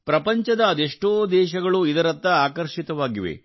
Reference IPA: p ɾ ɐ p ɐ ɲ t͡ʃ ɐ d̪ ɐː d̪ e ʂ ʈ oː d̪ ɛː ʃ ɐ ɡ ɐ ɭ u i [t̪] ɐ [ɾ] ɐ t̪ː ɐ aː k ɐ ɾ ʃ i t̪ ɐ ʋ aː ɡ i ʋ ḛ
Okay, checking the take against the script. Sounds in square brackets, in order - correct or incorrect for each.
incorrect, correct

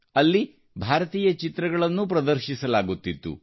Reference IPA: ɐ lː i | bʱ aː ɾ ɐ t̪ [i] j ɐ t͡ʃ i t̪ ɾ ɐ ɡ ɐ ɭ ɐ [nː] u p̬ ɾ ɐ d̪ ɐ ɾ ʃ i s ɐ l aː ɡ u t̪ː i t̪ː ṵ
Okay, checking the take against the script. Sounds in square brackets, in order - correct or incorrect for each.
incorrect, correct

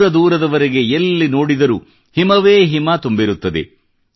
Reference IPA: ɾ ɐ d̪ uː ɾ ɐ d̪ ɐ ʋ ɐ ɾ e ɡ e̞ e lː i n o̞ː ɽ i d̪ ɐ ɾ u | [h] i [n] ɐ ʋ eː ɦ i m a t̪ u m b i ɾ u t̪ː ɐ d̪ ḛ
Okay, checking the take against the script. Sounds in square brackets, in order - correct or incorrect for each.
correct, incorrect

